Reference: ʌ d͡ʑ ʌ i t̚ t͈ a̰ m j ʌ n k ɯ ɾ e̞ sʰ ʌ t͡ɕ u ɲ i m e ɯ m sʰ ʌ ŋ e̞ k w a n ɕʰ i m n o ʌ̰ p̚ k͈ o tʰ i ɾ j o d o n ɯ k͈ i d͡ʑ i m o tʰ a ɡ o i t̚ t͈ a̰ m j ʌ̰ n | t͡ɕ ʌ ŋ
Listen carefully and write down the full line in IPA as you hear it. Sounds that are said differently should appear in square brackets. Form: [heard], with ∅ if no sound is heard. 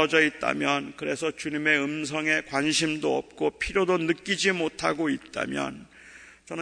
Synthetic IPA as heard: ʌ d͡ʑ ʌ i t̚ t͈ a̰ m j ʌ n k ɯ ɾ e̞ sʰ ʌ t͡ɕ u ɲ i m e ɯ m sʰ ʌ ŋ e̞ k w a n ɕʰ i m [d] o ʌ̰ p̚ k͈ o [pʰ] i ɾ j o d o n ɯ k͈ i d͡ʑ i m o tʰ a ɡ o i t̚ t͈ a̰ m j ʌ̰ n | t͡ɕ ʌ [n]